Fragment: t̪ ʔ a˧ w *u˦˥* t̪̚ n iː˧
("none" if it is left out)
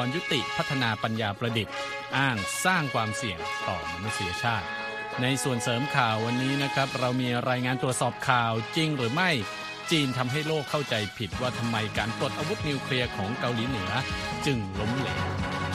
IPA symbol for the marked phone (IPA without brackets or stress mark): u˦˥